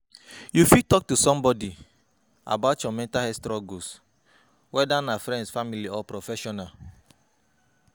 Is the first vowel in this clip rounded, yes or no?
yes